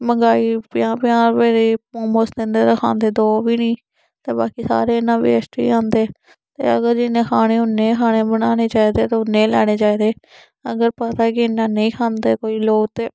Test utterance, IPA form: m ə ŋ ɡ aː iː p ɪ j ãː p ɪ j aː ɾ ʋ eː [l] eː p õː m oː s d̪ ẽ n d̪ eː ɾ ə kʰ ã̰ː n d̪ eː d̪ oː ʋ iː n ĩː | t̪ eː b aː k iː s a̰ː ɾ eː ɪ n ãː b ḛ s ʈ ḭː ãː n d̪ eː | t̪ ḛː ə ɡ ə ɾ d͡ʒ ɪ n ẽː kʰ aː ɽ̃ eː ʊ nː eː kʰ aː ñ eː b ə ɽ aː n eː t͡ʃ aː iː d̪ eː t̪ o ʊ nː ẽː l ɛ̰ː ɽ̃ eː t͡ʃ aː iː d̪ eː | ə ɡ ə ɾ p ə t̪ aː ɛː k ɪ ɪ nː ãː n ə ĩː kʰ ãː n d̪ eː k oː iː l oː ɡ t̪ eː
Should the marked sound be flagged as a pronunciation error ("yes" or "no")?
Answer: yes